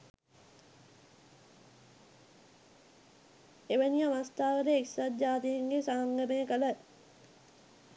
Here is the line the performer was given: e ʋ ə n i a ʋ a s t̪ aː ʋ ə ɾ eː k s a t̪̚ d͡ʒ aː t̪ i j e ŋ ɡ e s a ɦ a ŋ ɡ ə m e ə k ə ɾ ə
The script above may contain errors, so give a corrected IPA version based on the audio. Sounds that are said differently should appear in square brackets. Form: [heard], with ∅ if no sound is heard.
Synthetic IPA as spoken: e ʋ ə n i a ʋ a s t̪ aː ʋ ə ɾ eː k s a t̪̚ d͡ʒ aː t̪ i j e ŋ ɡ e s a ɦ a ŋ ɡ ə m e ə k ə [l] ə

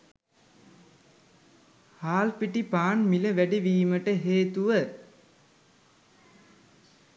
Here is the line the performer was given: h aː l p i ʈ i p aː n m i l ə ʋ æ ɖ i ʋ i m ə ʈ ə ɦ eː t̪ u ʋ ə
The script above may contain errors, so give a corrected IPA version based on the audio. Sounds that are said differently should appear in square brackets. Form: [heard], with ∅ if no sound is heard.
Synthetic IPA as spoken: h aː l p i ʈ i p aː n m i l ə ʋ æ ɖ i ʋ [iː] m ə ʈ ə ɦ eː t̪ u ʋ ə

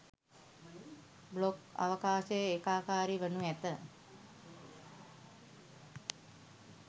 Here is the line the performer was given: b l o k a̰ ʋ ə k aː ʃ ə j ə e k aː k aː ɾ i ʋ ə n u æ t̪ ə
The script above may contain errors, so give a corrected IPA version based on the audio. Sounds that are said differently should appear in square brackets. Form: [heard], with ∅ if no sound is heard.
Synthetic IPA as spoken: b l o k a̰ ʋ ə k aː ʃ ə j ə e k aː k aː ɾ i ʋ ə n u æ t̪ ə

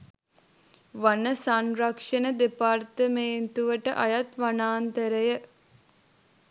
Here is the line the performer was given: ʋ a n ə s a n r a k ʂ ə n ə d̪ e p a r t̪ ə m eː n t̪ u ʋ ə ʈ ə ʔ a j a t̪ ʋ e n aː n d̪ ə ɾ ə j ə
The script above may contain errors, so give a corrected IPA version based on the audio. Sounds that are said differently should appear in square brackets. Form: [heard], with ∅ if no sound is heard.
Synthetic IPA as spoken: ʋ a n ə s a n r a k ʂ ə n ə d̪ e p a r t̪ ə m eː n t̪ u ʋ ə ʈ ə ʔ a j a t̪ ʋ [a] n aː n [t̪] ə ɾ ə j ə

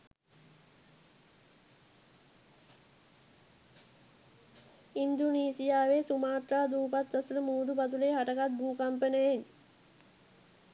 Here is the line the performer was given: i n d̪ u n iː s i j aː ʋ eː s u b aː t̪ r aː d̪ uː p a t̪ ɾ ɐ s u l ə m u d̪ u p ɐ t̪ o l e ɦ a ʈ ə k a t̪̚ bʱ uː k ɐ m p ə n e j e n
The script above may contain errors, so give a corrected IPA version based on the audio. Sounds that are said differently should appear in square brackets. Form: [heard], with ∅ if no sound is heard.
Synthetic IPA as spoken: i n d̪ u n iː s i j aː ʋ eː s u [m] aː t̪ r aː d̪ uː p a t̪ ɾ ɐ s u l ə m [uː] d̪ u p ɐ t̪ [u] l e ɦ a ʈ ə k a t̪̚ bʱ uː k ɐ m p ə n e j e n

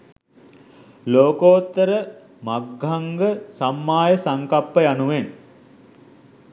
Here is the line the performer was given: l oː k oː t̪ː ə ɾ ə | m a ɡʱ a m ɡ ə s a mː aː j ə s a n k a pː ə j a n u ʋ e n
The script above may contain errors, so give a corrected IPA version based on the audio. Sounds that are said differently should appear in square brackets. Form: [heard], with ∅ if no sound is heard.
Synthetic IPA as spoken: l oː k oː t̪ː ə ɾ ə | m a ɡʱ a [ŋ] ɡ ə s a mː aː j ə s a [ŋ] k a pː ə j a n u ʋ e n

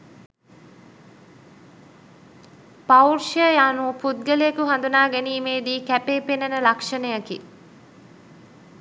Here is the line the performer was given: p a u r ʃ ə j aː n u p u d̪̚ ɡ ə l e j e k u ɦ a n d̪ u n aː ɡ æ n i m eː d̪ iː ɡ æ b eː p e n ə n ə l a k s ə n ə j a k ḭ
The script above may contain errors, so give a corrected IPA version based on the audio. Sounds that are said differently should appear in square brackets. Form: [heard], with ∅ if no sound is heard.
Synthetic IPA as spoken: p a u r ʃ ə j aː n u p u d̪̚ ɡ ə l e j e k u ɦ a n d̪ u n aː ɡ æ n [iː] m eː d̪ iː [k] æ [p] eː p e n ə n ə l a k [ʂ] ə n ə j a k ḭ

